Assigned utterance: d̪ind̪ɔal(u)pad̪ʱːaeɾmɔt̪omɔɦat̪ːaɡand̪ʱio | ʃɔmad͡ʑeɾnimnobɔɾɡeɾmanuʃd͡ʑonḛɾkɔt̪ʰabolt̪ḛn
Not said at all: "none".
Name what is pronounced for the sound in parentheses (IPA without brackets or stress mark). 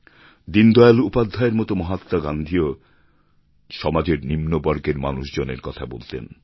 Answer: u